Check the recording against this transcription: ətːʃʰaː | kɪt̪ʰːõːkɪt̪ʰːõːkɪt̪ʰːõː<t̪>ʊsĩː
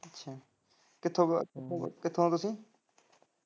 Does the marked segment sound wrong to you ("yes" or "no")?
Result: no